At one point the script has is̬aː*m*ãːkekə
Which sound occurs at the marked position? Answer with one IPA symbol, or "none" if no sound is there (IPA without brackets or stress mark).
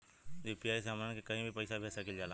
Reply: m